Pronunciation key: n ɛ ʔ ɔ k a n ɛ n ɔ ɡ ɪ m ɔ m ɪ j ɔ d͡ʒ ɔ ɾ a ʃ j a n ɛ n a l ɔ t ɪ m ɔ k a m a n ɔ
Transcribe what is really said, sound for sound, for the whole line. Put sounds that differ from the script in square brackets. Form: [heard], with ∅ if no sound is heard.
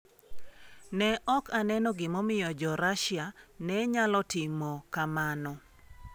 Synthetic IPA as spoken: n ɛ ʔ ɔ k a n ɛ n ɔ ɡ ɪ m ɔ m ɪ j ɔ d͡ʒ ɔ ɾ a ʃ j a n ɛ [ɲ] a l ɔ t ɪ m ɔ k a m a n ɔ